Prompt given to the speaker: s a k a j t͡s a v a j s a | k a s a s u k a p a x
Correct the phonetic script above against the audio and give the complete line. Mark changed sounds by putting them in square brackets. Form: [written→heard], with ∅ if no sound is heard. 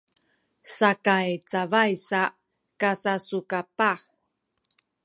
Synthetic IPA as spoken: s a k a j t͡s a v a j s a | k a s a s u k a p a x